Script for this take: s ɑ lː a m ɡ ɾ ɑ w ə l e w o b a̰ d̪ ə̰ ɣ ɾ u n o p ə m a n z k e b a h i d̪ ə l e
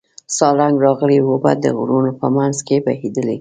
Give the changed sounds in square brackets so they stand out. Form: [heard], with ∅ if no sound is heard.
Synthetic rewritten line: s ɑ [l] a [ŋ] ɡ ɾ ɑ [ɣ] ə l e w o b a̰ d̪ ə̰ ɣ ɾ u n o p ə m a n z k e b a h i d̪ ə l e